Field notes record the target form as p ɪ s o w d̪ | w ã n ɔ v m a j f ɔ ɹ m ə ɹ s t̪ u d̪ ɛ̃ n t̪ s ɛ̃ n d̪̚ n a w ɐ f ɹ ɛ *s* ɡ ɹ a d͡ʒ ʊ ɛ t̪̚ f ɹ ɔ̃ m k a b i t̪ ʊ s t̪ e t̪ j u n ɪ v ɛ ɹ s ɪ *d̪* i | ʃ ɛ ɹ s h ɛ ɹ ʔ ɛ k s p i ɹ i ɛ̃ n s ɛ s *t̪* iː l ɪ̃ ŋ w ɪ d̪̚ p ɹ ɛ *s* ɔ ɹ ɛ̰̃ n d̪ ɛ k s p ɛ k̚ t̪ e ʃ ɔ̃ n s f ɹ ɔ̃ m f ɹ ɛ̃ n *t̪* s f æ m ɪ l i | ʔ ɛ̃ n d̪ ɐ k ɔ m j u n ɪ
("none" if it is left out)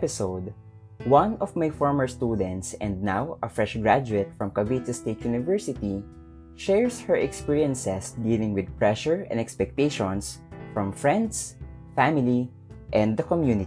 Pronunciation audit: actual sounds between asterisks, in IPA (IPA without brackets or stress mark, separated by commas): ʃ, t̪, d̪, ʃ, d̪